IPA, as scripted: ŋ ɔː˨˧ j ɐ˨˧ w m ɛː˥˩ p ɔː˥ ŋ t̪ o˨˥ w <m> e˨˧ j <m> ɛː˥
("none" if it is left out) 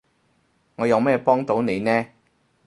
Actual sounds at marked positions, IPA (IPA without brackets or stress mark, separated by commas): n, n